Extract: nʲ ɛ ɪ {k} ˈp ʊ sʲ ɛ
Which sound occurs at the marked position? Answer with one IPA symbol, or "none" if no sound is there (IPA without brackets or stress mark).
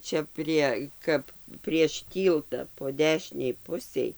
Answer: none